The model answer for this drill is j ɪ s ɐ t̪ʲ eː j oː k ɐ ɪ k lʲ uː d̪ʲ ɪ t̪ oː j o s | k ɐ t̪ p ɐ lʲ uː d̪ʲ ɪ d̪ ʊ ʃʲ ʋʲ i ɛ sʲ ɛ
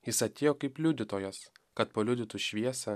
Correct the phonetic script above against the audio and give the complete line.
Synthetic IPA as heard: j ɪ s ɐ t̪ʲ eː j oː k ɐ ɪ p lʲ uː d̪ʲ ɪ t̪ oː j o s | k ɐ t̪ p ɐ lʲ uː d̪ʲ ɪ t̪ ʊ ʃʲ ʋʲ i ɛ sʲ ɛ

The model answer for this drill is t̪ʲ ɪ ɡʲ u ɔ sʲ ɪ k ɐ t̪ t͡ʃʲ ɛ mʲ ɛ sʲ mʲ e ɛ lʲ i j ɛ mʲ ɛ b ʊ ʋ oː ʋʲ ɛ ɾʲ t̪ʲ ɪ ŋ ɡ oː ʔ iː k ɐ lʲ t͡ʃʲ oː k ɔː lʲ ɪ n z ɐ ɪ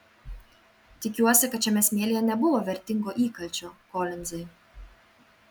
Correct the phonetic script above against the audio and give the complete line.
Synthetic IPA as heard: t̪ʲ ɪ kʲ u ɔ sʲ ɪ k ɐ t̪ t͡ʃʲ ɛ mʲ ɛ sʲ mʲ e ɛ lʲ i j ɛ nʲ ɛ b ʊ ʋ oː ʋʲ ɛ ɾʲ t̪ʲ ɪ ŋ ɡ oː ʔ iː k ɐ lʲ t͡ʃʲ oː k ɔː lʲ ɪ n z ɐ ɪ

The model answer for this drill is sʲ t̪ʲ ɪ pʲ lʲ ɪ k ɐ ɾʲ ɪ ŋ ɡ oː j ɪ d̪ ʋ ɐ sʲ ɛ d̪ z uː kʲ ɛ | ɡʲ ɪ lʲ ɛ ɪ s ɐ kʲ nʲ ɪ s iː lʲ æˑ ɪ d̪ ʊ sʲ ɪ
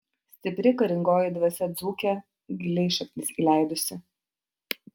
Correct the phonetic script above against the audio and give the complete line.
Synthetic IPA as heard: sʲ t̪ʲ ɪ pʲ ɾʲ ɪ k ɐ ɾʲ ɪ ŋ ɡ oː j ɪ d̪ ʋ ɐ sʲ ɛ d̪ z uː kʲ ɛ | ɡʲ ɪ lʲ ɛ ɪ ʃ ɐ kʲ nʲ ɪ s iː lʲ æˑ ɪ d̪ ʊ sʲ ɪ

